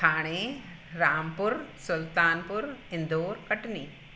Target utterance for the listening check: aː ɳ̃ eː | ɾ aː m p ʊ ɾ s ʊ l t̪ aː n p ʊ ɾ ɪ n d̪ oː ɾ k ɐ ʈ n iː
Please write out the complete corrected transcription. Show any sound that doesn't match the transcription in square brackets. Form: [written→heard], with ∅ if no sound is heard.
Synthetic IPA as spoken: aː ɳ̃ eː | ɾ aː m p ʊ ɾ s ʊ l t̪ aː n p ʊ ɾ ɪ n d̪ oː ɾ k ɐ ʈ n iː